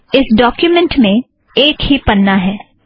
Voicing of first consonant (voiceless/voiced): voiceless